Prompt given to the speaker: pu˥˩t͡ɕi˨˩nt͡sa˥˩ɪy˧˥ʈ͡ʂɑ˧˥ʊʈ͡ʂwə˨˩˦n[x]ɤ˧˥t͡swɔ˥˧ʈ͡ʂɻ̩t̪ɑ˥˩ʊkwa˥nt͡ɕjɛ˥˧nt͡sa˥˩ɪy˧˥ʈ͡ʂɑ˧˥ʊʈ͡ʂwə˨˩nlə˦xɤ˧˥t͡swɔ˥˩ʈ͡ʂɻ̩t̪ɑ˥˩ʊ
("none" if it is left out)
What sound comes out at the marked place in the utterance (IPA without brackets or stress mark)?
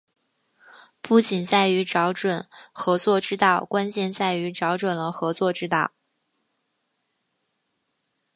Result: x